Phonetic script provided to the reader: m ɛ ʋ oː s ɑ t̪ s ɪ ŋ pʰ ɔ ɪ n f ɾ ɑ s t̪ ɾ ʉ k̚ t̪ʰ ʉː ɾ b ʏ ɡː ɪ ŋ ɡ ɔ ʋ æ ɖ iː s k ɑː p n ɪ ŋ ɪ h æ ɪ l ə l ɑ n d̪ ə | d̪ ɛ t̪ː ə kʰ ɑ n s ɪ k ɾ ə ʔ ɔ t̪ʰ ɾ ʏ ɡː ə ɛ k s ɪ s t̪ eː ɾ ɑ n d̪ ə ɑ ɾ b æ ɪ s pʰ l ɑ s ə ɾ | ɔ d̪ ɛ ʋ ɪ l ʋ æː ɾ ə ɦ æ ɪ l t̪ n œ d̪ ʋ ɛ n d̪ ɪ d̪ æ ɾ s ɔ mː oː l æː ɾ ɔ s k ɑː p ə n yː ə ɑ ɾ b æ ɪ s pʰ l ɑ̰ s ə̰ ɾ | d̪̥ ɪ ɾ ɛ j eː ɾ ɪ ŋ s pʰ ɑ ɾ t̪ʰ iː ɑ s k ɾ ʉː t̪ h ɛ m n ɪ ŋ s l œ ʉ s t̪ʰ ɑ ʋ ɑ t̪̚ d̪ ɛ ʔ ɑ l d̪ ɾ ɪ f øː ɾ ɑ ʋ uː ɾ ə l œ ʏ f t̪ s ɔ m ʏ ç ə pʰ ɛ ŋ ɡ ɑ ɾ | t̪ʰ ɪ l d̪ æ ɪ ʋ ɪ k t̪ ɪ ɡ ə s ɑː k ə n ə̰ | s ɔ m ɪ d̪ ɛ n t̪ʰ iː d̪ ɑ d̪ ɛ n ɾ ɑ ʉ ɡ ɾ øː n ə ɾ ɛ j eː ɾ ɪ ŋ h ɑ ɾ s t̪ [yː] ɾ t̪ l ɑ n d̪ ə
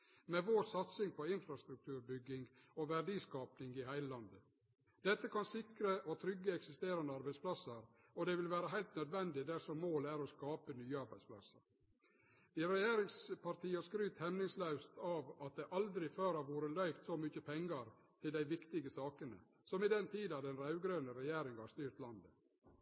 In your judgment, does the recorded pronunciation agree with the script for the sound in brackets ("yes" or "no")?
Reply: yes